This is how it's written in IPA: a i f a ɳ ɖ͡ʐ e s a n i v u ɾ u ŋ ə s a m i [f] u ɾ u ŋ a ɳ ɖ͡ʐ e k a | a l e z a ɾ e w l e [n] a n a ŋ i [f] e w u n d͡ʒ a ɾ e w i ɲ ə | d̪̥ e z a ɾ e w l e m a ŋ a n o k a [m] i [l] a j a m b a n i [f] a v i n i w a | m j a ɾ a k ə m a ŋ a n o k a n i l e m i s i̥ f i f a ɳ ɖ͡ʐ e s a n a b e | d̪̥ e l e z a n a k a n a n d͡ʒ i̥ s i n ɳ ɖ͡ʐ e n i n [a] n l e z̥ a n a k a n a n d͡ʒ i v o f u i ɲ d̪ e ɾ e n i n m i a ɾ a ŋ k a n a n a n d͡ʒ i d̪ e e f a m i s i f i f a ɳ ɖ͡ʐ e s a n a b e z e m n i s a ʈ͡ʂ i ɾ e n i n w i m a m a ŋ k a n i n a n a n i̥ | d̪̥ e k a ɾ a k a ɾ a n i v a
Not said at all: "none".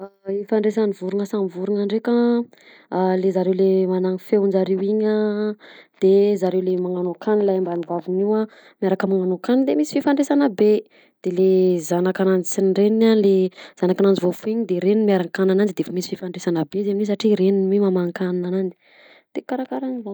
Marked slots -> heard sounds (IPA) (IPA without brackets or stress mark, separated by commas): v, m, f, n, l, v, a